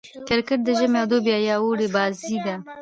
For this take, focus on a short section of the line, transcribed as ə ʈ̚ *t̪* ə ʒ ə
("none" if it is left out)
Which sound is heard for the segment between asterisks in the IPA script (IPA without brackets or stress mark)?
d̪